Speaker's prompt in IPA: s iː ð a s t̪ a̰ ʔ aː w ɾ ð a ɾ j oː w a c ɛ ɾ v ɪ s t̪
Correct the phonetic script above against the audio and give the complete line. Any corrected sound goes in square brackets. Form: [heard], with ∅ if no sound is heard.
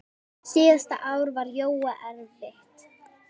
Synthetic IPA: s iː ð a s t̪ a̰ ʔ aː w ɾ [v] a ɾ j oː w a [ʔ] ɛ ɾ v ɪ [h] t̪